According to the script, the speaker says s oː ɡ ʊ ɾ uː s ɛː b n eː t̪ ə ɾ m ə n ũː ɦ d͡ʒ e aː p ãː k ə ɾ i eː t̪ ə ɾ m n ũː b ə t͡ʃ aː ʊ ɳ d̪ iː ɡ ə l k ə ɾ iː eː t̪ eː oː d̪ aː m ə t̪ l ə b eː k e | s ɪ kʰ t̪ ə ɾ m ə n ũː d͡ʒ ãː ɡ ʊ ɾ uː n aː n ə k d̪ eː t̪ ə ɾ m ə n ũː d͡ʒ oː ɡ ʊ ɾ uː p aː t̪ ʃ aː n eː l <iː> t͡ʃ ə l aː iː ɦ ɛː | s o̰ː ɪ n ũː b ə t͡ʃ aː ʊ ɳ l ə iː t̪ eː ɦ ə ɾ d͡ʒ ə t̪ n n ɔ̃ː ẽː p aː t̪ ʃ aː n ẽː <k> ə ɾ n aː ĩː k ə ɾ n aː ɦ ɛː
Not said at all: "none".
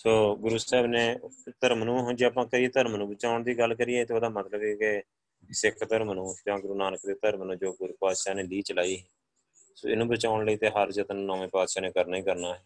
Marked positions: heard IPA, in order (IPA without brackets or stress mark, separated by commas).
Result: iː, k